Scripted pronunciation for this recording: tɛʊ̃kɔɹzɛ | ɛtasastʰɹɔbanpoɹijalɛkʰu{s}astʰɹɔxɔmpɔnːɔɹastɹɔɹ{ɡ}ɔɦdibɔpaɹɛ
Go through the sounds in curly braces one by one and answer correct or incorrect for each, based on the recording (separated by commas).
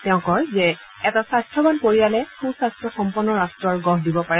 correct, correct